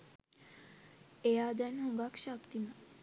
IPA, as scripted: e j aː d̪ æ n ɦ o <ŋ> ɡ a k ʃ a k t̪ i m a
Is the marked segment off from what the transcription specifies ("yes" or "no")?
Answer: no